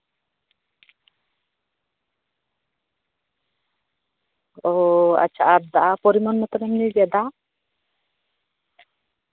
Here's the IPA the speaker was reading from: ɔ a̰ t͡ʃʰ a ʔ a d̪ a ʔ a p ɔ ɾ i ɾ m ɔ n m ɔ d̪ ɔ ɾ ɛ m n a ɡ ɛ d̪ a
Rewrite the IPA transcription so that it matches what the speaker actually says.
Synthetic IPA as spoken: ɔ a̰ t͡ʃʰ a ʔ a d̪ a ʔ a p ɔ ɾ i m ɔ n m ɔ t̪ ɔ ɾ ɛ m n i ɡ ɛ d̪ a